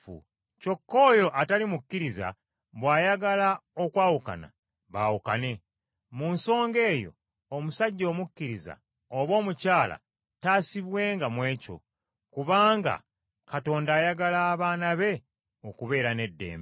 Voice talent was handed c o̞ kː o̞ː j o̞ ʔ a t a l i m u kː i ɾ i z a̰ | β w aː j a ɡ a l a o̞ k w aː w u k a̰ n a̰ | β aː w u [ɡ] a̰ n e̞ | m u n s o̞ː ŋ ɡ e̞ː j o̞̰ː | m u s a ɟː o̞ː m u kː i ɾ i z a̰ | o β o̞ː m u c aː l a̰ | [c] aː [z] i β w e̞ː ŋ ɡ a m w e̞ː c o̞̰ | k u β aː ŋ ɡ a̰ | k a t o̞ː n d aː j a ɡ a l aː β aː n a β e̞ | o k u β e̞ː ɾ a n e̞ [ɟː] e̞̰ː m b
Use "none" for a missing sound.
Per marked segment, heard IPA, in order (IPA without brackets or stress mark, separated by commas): k, t, s, dː